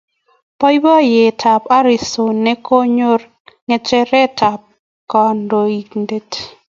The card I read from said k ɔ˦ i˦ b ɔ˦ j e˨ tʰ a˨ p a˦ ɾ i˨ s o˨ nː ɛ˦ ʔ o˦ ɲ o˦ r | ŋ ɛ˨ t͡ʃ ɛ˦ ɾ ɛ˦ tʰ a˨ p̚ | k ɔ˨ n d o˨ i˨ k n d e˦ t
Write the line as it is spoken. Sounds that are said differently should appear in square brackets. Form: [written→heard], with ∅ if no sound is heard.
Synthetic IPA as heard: [k→p] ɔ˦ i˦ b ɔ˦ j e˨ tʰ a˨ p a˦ ɾ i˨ s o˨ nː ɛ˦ [ʔ→k] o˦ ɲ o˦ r | ŋ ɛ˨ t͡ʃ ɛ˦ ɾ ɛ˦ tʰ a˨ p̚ | k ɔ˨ n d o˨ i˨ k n d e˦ t